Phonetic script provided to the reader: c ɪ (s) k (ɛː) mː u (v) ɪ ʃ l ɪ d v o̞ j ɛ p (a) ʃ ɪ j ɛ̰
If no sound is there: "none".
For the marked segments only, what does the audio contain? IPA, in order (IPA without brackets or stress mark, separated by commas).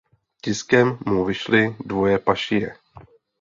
s, ɛ, v, a